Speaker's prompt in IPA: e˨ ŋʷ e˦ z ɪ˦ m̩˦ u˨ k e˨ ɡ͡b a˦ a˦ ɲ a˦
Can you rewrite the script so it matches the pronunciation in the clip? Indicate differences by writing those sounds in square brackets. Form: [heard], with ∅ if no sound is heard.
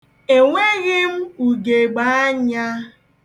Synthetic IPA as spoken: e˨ ŋʷ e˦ [ɣ] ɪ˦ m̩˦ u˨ [ɡ] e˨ ɡ͡b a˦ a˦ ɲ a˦